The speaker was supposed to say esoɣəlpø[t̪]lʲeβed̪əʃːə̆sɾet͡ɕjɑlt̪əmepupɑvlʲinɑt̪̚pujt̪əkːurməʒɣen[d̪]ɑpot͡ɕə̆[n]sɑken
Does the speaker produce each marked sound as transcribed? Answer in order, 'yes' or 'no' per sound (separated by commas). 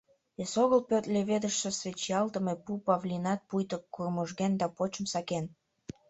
yes, yes, no